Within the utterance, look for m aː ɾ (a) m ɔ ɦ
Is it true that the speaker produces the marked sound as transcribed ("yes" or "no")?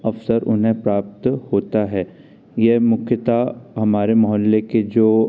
no